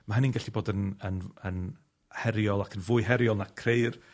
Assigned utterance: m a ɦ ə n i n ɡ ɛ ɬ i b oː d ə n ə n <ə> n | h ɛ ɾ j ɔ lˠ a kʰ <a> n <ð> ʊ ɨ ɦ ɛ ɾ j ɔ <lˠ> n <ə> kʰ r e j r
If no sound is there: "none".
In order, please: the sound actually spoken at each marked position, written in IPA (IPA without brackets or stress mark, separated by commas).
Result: ə, ə, v, lˠ, a